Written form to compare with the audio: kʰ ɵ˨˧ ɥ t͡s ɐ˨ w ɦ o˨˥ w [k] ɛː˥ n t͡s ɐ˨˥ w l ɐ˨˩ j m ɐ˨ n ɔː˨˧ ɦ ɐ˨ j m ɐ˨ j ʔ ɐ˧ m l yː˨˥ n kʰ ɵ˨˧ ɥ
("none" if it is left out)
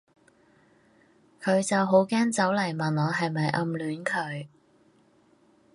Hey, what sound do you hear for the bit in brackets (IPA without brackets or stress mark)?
k